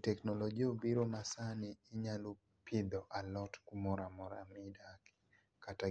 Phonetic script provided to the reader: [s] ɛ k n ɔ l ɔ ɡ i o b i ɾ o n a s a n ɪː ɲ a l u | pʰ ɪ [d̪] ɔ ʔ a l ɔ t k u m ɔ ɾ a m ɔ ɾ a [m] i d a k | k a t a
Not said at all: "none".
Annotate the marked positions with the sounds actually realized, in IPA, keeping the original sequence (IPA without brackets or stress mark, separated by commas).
t, d̪, m